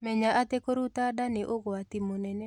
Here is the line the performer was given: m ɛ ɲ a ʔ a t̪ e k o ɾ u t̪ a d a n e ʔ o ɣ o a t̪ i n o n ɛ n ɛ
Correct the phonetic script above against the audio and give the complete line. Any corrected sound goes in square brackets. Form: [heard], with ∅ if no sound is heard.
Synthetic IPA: m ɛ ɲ a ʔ a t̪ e k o ɾ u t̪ a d a n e ʔ o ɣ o a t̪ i [m] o n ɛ n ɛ